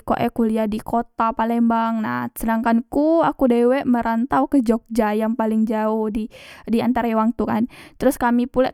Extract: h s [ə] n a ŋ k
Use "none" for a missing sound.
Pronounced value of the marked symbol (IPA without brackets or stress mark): ə